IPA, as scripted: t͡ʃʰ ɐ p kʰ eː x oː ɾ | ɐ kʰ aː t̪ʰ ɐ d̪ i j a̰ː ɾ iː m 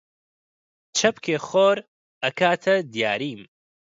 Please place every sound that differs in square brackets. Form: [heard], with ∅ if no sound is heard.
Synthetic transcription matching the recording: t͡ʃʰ ɐ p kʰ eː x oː ɾ | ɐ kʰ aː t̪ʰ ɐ d̪ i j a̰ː ɾ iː m